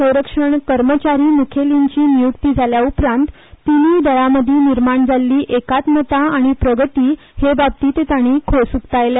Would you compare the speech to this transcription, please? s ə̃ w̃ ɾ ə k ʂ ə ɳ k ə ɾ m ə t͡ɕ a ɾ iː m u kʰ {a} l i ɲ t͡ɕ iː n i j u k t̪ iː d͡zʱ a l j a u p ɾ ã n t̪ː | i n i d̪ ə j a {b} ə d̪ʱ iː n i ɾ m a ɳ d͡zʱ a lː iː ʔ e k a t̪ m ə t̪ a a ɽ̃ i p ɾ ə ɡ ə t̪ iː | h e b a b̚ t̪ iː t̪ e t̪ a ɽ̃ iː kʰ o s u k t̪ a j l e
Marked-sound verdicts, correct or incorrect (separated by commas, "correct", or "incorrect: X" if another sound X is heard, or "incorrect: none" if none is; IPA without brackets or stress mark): incorrect: e, incorrect: m